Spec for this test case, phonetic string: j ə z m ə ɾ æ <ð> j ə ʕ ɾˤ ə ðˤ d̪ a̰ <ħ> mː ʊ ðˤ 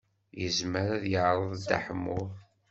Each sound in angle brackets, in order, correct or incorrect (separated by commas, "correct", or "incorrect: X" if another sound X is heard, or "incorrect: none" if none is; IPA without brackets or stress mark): correct, correct